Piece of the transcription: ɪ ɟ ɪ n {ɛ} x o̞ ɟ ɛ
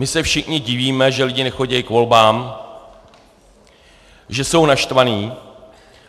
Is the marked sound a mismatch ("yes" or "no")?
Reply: no